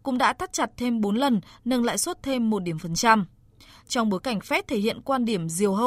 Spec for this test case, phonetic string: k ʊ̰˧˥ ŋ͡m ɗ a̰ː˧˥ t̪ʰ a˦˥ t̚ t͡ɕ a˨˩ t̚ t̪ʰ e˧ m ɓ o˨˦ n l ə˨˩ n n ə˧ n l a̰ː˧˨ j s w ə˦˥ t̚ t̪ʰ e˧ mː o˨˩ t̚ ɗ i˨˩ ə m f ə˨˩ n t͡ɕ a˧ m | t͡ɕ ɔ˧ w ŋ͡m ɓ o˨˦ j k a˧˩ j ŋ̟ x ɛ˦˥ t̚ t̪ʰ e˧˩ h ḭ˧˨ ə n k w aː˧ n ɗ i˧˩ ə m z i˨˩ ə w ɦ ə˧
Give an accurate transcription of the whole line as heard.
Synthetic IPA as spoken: k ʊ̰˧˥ ŋ͡m ɗ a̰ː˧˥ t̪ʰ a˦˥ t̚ t͡ɕ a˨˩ t̚ t̪ʰ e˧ m ɓ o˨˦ n l ə˨˩ n n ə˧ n l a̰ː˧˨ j s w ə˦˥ t̚ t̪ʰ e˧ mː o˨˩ t̚ ɗ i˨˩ ə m f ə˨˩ n t͡ɕ a˧ m | t͡ɕ ɔ˧ w ŋ͡m ɓ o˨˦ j k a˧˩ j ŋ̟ f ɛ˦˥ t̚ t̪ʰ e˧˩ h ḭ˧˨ ə n k w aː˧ n ɗ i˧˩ ə m z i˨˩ ə w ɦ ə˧